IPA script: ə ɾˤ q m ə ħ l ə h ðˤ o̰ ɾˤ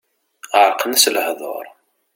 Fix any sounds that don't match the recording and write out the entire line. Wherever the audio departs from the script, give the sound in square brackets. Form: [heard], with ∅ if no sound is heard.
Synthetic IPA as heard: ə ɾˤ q [n] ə [s] l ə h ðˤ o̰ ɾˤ